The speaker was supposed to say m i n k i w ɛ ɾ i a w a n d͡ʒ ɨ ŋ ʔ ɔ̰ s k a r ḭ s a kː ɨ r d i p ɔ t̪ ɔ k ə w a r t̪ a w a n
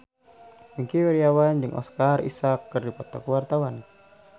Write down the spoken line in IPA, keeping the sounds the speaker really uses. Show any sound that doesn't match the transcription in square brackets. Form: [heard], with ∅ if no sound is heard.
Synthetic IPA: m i [ŋ] k i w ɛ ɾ i a w a n d͡ʒ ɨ ŋ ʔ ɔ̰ s k a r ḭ s a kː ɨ r d i p ɔ t̪ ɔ k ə w a r t̪ a w a n